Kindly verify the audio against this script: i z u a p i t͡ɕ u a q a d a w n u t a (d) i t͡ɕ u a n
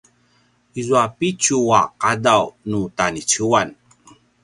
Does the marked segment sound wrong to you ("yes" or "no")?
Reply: yes